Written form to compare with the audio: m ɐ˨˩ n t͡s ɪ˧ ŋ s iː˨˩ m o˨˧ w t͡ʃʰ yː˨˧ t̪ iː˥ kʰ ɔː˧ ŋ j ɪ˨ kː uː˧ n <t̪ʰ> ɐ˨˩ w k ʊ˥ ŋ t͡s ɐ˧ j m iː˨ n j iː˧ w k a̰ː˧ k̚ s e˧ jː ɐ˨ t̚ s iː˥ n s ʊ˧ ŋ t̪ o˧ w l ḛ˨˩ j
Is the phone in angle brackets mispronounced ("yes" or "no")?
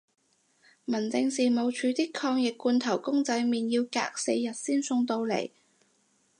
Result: no